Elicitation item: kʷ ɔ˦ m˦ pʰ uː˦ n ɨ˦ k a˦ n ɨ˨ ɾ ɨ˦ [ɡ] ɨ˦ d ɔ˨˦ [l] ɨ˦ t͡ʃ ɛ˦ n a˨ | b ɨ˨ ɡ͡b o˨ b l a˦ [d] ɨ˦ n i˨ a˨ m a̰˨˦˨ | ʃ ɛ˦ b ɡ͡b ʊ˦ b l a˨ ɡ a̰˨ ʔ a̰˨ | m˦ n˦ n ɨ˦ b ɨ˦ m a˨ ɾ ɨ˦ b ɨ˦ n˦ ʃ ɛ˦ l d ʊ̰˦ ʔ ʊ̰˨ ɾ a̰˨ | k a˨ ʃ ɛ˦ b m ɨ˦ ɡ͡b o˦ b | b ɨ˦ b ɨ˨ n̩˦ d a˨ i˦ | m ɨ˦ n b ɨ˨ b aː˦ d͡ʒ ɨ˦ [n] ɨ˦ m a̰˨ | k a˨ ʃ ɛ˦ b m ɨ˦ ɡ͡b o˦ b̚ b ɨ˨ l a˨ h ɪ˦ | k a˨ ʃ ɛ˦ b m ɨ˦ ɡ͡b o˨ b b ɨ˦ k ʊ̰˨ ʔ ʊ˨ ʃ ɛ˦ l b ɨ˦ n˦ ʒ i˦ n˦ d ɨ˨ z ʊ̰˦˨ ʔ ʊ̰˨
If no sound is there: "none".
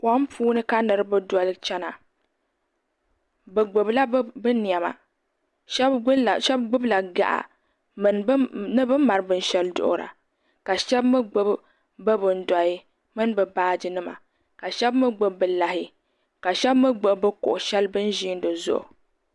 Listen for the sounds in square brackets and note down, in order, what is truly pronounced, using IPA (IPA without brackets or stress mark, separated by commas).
b, l, b, n